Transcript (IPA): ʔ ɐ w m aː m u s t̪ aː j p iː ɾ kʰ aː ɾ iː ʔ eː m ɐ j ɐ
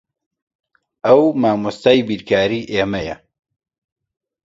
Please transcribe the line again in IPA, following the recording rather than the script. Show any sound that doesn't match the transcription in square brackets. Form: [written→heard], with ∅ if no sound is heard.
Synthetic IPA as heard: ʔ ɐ w m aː m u s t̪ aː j [p→b] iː ɾ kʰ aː ɾ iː ʔ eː m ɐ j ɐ